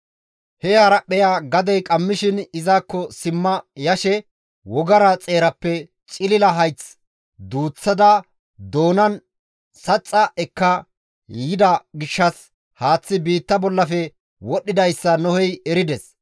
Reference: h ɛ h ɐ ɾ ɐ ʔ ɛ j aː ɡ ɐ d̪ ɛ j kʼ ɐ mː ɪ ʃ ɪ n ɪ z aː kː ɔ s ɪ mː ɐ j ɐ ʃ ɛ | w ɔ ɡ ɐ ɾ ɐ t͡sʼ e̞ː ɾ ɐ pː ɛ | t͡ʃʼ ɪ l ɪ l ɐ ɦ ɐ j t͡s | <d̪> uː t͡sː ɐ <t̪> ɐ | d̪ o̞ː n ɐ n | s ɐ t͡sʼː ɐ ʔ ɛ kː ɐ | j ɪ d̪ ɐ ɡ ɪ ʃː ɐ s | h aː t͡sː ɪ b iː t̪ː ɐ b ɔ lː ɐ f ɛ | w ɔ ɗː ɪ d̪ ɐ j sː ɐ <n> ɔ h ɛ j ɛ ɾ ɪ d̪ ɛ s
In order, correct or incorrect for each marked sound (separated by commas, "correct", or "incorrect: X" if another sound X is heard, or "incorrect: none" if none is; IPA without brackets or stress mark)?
correct, incorrect: d̪, correct